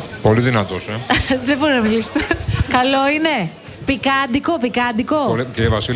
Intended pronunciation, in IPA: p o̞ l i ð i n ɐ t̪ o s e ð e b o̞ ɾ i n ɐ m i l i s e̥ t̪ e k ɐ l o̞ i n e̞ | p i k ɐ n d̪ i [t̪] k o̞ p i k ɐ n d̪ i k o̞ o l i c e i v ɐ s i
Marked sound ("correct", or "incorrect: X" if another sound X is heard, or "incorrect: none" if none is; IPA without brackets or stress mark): incorrect: none